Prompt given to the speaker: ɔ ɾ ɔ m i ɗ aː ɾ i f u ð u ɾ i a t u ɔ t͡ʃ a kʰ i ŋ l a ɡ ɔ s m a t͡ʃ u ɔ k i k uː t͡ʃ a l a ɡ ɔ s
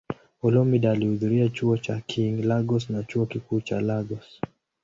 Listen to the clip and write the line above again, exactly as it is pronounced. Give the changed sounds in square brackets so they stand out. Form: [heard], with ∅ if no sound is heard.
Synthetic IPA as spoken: ɔ [l] ɔ m i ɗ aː [l] i [h] u ð u ɾ i a [t͡ʃ] u ɔ t͡ʃ a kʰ i ŋ l a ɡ ɔ s [n] a t͡ʃ u ɔ k i k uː t͡ʃ a l a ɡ ɔ s

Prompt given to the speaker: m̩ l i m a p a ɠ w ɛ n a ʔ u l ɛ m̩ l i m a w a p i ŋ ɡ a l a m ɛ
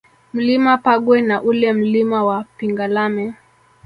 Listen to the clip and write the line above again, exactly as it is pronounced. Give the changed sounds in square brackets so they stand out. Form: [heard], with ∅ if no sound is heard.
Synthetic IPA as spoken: m̩ l i m a p a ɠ w ɛ n a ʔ u l ɛ m̩ l i m a w a p i ŋ ɡ a l a m ɛ

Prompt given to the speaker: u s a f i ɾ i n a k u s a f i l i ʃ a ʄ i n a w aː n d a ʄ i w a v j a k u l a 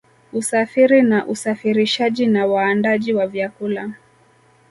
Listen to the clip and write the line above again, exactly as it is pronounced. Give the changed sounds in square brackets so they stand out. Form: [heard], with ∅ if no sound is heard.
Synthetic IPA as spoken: u s a f i ɾ i n a [ʔ] u s a f i [ɾ] i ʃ a ʄ i n a w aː n d a ʄ i w a v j a k u l a

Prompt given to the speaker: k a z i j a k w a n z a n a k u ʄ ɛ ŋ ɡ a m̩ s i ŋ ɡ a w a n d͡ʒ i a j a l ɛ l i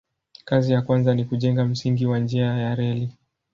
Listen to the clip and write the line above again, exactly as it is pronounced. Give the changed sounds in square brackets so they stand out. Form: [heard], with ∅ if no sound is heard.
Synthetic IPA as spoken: k a z i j a k w a n z a n [i] k u ʄ ɛ ŋ ɡ a m̩ s i ŋ ɡ [i] w a n d͡ʒ i a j a [ɾ] ɛ l i

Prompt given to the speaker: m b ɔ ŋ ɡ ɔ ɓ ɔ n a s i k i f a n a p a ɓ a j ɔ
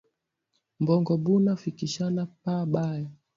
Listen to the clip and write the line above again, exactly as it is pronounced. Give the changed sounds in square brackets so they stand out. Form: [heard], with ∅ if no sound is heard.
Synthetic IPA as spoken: m b ɔ ŋ ɡ ɔ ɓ [u] n a [f] i k i [ʃ] a n a p a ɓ a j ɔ

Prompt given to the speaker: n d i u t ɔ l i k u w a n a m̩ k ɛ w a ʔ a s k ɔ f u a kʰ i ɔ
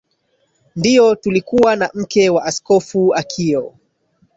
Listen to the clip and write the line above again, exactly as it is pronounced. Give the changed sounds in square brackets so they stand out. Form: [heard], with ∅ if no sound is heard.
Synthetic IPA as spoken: n d i [ɔ] t [u] l i k u w a n a m̩ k ɛ w a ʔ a s k ɔ f u a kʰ i ɔ

